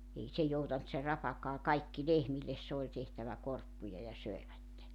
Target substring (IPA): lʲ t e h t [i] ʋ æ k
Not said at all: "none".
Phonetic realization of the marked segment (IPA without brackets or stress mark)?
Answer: æ